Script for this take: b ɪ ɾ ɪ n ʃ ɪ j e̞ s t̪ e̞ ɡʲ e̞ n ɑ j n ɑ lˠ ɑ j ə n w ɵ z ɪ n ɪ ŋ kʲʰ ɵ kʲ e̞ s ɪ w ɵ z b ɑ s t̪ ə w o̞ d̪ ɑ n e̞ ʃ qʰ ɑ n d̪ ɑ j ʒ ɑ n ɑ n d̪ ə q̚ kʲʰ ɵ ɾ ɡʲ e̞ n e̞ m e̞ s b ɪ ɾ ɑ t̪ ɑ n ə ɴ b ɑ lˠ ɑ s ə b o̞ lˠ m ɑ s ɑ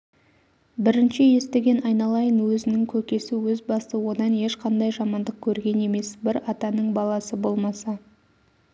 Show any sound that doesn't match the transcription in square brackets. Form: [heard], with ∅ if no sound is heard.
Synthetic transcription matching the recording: b ɪ ɾ ɪ n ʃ ɪ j e̞ s t̪ e̞ ɡʲ e̞ n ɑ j n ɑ lˠ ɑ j ə n w ɵ z ɪ n ɪ ŋ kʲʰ ɵ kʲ e̞ s ɪ w ɵ z b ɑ s t̪ ə w o̞ d̪ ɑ n e̞ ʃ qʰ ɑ n d̪ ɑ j ʒ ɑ [m] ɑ n d̪ ə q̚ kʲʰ ɵ ɾ ɡʲ e̞ n e̞ m e̞ s b ɪ ɾ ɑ t̪ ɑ n ə ɴ b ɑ lˠ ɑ s ə b o̞ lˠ m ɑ s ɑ